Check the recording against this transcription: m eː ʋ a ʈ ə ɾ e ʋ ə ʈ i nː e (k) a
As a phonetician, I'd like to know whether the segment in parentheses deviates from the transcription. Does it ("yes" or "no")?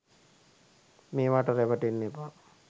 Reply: yes